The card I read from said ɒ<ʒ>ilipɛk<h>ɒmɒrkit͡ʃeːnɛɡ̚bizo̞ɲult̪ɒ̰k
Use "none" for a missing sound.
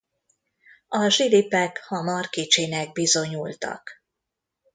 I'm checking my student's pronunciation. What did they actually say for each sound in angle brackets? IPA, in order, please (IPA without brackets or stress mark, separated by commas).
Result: ʒ, h